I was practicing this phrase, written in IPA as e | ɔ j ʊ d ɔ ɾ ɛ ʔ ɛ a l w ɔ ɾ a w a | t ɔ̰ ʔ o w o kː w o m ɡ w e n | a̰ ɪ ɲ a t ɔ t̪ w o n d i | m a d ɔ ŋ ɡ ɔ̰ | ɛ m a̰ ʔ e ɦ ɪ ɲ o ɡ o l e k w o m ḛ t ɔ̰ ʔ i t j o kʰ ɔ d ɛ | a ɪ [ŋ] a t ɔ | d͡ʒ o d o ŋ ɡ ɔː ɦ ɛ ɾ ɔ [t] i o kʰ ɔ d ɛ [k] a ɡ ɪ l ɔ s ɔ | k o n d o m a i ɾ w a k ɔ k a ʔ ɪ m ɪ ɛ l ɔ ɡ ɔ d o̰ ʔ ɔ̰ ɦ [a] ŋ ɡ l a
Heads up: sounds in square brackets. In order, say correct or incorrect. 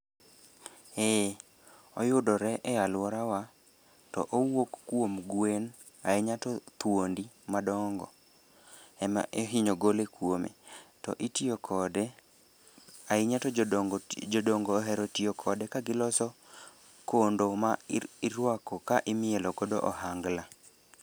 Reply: incorrect, correct, correct, correct

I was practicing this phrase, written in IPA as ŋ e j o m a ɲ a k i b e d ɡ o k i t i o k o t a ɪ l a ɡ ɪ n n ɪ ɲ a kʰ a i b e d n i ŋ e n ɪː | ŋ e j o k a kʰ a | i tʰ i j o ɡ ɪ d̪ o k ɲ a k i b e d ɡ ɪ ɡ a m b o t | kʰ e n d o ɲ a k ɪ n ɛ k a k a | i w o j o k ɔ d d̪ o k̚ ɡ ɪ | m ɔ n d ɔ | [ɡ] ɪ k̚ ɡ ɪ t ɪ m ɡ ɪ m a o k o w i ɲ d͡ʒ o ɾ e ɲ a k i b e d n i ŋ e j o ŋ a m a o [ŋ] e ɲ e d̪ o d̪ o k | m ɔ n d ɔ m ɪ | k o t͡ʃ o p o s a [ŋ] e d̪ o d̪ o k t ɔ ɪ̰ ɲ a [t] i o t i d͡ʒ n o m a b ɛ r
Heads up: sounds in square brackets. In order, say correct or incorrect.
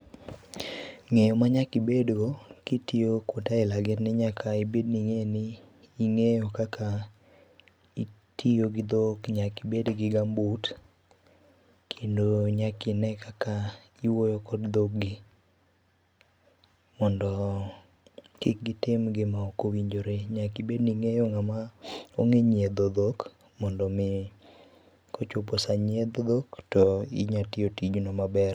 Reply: incorrect, correct, incorrect, correct

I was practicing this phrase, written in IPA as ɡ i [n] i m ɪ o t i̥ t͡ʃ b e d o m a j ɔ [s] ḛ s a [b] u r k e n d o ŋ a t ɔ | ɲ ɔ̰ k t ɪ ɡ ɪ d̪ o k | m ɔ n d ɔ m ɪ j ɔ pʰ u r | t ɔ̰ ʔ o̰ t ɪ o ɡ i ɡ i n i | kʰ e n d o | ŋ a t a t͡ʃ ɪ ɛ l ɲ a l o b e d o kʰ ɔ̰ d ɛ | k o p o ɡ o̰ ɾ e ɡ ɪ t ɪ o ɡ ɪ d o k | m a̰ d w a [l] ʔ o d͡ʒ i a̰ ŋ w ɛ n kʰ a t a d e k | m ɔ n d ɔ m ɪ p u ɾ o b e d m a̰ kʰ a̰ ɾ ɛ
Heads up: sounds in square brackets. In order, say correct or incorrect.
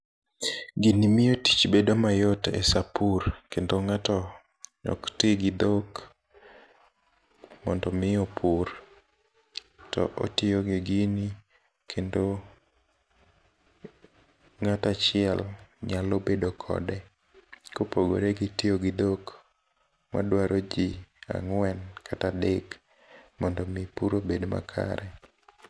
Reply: correct, incorrect, incorrect, incorrect

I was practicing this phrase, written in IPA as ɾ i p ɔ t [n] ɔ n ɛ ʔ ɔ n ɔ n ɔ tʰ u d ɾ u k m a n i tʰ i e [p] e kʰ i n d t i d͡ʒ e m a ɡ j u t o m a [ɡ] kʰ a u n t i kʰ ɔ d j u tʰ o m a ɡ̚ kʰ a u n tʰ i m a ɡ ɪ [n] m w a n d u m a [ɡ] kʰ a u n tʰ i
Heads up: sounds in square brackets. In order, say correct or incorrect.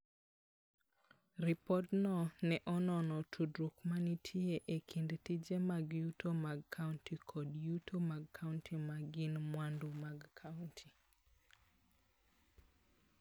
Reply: correct, incorrect, correct, correct, correct

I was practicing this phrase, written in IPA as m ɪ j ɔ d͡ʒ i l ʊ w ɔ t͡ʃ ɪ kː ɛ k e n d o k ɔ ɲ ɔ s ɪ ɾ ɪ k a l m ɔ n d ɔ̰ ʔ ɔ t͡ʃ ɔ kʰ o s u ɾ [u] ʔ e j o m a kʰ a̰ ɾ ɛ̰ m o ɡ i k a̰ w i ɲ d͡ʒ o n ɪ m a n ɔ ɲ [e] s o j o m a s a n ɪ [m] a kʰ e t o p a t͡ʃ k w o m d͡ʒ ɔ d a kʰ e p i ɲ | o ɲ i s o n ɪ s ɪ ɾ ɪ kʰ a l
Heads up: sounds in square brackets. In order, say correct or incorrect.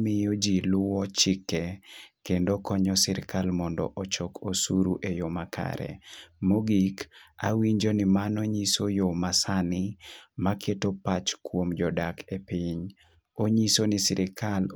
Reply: correct, incorrect, correct

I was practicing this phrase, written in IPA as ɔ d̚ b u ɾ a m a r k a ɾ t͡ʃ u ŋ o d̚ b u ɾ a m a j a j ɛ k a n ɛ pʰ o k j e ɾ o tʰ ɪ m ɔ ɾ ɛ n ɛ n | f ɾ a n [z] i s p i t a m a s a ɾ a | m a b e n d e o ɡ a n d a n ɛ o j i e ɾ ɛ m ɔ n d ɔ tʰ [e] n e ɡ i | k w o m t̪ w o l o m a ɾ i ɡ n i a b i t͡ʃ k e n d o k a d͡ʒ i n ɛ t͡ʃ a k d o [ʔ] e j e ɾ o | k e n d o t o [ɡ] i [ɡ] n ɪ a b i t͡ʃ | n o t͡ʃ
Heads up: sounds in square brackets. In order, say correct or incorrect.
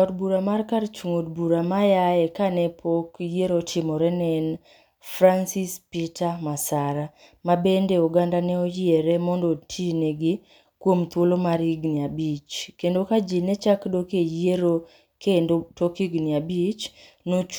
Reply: incorrect, incorrect, incorrect, incorrect, correct

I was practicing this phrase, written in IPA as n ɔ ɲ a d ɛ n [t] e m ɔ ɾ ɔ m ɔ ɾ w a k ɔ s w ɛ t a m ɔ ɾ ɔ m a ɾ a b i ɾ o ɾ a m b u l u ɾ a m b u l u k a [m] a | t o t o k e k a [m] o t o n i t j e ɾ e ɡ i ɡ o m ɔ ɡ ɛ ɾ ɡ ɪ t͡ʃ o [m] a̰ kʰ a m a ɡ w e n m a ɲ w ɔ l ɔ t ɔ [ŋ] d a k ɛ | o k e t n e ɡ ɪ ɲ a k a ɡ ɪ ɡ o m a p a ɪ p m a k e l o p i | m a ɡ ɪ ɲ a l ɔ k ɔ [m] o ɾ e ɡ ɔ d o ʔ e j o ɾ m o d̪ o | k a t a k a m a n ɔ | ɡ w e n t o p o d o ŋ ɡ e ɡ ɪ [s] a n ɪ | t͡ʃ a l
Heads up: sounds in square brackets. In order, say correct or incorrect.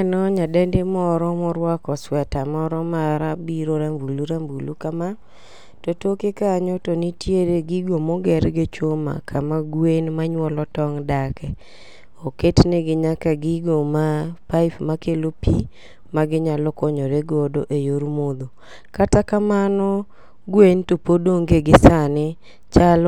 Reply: incorrect, correct, incorrect, correct, correct, incorrect, correct

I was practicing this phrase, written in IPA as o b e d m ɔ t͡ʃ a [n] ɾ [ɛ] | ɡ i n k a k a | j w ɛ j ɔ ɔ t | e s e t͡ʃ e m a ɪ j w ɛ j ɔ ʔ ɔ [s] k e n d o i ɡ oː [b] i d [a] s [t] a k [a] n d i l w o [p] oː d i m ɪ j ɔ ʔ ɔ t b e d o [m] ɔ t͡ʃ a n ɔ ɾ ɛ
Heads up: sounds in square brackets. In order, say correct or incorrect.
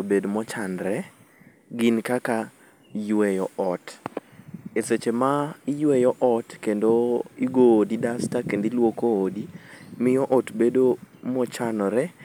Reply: correct, correct, incorrect, incorrect, correct, correct, incorrect, incorrect, correct

